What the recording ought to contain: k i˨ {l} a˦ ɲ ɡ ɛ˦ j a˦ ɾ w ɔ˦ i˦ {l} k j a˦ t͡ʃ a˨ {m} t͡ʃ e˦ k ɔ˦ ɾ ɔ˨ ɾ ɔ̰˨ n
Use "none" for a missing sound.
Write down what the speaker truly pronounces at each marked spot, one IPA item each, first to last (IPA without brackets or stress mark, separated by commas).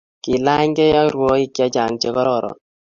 l, none, ŋ